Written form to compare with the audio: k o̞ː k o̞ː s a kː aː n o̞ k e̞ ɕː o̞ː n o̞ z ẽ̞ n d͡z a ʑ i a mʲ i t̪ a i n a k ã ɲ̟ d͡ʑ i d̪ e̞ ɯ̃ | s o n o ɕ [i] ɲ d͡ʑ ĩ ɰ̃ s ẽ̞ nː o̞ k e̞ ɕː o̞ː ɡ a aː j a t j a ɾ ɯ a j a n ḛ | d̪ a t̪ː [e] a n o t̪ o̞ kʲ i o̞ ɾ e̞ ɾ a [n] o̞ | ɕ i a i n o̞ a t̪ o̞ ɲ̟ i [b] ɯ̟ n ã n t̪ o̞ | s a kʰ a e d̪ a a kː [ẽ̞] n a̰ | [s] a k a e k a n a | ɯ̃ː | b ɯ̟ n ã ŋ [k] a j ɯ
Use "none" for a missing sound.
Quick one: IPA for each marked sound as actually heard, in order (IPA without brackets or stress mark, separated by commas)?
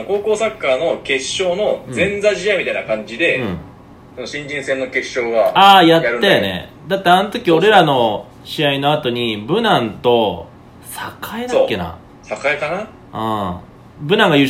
ĩ, e, n, b, e̞, s, ɡ